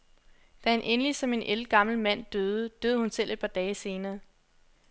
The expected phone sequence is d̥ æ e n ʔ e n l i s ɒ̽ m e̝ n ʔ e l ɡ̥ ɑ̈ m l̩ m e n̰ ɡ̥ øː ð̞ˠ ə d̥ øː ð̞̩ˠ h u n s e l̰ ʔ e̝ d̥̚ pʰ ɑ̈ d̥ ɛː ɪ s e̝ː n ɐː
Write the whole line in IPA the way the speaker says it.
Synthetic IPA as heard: d̥ æ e n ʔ e n l i s ɒ̽ m e̝ n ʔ e l ɡ̥ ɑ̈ m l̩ m æ n̰ d̥ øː ð̞ˠ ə d̥ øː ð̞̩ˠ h u n s e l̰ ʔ e̝ d̥̚ pʰ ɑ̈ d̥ ɛː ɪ s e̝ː n ɐː